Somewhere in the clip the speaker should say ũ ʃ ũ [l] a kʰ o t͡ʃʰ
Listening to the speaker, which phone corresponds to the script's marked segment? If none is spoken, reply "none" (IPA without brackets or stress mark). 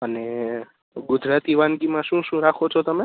ɾ